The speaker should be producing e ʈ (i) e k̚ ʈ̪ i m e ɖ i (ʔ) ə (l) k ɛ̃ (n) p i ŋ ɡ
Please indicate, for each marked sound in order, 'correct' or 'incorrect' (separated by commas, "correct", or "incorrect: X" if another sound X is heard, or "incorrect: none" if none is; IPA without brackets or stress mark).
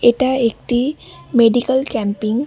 incorrect: a, incorrect: k, correct, incorrect: m